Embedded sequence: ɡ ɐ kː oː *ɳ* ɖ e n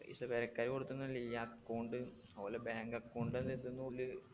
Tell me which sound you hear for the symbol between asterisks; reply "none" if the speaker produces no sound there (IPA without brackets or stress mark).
ɳ